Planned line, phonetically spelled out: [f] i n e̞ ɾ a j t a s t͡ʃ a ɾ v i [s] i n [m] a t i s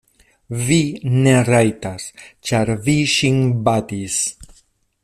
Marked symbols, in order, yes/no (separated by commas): no, no, no